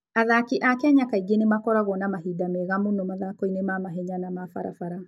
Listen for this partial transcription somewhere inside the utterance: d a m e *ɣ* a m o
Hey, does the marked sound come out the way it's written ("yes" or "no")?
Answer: yes